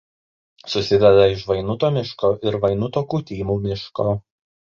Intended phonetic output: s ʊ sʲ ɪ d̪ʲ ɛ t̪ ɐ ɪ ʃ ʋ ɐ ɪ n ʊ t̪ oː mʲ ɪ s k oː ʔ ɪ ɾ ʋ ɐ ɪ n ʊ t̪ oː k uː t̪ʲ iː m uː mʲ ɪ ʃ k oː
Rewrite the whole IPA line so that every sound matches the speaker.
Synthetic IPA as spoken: s ʊ sʲ ɪ d̪ʲ ɛ d̪ ɐ ɪ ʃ ʋ ɐ ɪ n ʊ t̪ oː mʲ ɪ ʃ k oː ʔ ɪ ɾ ʋ ɐ ɪ n ʊ t̪ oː k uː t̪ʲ iː m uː mʲ ɪ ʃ k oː